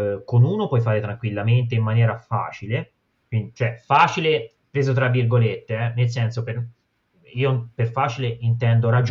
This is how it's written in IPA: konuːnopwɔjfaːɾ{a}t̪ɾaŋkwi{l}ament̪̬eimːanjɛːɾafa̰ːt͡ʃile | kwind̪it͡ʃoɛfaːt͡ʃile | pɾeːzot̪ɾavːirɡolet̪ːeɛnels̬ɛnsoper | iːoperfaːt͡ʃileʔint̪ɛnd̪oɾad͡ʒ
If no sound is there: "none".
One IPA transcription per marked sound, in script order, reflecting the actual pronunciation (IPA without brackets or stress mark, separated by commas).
e, lː